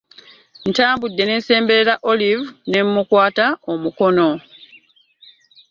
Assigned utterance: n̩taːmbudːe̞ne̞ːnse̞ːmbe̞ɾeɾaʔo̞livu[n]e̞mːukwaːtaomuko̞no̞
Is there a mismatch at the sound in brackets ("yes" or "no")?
no